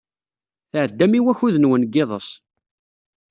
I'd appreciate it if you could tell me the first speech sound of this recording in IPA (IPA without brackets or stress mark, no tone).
θ